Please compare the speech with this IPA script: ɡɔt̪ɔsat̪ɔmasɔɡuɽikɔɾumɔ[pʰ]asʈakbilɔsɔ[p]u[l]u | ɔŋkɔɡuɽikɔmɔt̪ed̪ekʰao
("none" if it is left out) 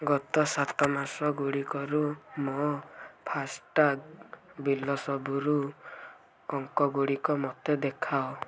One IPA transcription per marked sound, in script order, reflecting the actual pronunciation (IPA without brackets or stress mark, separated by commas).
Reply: pʰ, b, ɾ